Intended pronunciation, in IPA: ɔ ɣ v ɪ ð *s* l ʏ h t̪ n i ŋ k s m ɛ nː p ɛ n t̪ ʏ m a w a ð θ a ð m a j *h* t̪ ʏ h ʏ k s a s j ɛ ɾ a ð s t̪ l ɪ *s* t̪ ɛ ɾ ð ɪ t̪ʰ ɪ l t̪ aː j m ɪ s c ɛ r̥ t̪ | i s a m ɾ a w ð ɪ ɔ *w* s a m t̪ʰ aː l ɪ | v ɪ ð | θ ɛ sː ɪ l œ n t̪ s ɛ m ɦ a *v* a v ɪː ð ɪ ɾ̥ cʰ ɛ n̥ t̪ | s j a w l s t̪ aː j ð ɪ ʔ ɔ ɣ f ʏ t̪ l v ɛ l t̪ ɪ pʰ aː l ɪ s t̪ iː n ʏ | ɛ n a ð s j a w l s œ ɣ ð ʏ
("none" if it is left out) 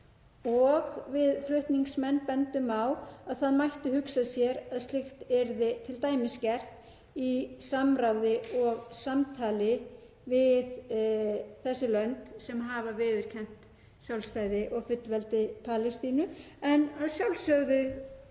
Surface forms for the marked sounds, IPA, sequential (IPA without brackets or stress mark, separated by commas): f, h, x, ɣ, v